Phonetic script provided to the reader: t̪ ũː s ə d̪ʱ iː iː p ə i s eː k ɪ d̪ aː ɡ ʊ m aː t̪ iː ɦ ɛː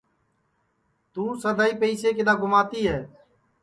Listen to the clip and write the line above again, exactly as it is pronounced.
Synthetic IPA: t̪ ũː s ə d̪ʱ aː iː p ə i s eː k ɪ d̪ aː ɡ ʊ m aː t̪ iː ɦ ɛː